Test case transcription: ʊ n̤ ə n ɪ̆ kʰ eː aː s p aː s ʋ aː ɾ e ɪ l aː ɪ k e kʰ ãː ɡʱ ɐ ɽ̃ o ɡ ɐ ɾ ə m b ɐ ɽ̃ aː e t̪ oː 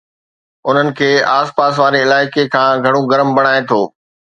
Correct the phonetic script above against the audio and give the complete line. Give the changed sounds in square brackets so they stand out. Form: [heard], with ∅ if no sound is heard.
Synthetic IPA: ʊ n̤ ə n ɪ̆ kʰ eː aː s p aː s ʋ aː ɾ e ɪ l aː ɪ k e kʰ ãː ɡʱ ɐ ɽ̃ o ɡ ɐ ɾ ə m b ɐ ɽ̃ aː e [t̪ʰ] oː